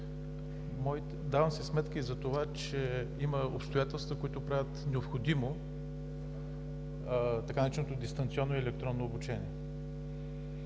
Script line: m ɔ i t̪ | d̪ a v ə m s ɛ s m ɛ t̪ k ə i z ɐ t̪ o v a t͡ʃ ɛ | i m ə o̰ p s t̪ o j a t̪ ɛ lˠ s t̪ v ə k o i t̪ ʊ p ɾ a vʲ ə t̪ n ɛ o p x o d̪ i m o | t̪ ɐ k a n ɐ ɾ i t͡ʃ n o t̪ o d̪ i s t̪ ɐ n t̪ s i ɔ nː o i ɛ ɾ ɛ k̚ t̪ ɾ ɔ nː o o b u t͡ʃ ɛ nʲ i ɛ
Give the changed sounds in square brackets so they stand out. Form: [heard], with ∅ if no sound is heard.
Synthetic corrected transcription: m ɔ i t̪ | d̪ a v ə m s ɛ s m ɛ t̪ k ə i z ɐ t̪ o v a t͡ʃ ɛ | i m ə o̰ p s t̪ o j a t̪ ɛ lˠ s t̪ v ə k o i t̪ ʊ p ɾ a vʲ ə t̪ n ɛ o p x o d̪ i m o | t̪ ɐ k a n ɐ ɾ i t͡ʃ n o t̪ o d̪ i s t̪ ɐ n t̪ s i ɔ nː o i ɛ [l] ɛ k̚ t̪ ɾ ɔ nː o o b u t͡ʃ ɛ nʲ i ɛ

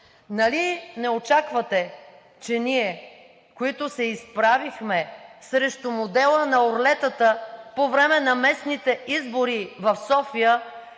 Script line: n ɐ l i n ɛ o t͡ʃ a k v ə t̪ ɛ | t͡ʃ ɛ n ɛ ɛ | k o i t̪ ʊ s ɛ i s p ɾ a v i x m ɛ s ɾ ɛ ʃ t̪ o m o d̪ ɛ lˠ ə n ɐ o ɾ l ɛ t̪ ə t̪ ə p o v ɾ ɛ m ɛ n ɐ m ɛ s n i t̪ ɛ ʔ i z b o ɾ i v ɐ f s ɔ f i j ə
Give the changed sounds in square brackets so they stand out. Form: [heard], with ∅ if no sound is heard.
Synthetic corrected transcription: n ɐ l i n ɛ o t͡ʃ a k v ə t̪ ɛ | t͡ʃ ɛ n [i] ɛ | k o i t̪ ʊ s ɛ i s p ɾ a v i x m ɛ s ɾ ɛ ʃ t̪ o m o d̪ ɛ lˠ ə n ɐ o ɾ l ɛ t̪ ə t̪ ə p o v ɾ ɛ m ɛ n ɐ m ɛ s n i t̪ ɛ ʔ i z b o ɾ i v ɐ f s ɔ f i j ə

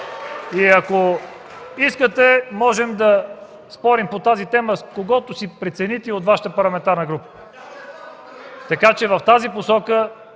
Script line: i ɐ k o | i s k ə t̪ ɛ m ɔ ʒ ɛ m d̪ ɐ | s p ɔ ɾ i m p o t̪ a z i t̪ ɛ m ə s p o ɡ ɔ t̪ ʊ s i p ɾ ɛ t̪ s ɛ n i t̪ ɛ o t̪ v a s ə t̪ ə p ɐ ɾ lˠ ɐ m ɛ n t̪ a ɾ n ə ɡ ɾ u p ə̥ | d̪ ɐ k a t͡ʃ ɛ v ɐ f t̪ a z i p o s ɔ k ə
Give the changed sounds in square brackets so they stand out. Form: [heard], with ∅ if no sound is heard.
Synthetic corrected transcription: i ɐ k o | i s k ə t̪ ɛ m ɔ ʒ ɛ m d̪ ɐ | s p ɔ ɾ i m p o t̪ a z i t̪ ɛ m ə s [k] o ɡ ɔ t̪ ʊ s i p ɾ ɛ t̪ s ɛ n i t̪ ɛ o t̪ v a [ʃ] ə t̪ ə p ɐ ɾ lˠ ɐ m ɛ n t̪ a ɾ n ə ɡ ɾ u p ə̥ | [t̪] ɐ k a t͡ʃ ɛ v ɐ f t̪ a z i p o s ɔ k ə

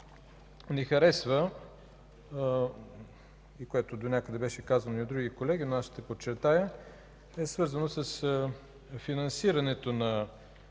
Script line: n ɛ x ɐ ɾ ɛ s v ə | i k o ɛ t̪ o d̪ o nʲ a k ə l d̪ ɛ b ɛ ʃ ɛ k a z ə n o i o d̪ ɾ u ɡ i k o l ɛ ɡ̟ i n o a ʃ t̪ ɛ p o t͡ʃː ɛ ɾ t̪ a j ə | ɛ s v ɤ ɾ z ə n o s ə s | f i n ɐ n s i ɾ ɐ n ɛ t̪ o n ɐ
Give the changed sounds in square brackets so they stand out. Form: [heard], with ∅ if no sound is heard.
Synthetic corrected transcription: n ɛ x ɐ ɾ ɛ s v ə | i k o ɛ t̪ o d̪ o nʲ a k ə [∅] d̪ ɛ b ɛ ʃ ɛ k a z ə n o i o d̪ ɾ u ɡ i k o l ɛ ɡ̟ i n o a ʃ t̪ ɛ p o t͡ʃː ɛ ɾ t̪ a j ə | ɛ s v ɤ ɾ z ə n o s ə s | f i n ɐ n s i ɾ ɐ n ɛ t̪ o n ɐ

